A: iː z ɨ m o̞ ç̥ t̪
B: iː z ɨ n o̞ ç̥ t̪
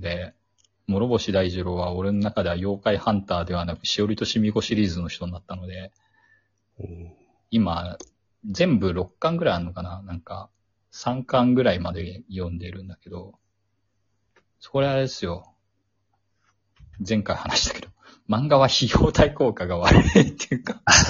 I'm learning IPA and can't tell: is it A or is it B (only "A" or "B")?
B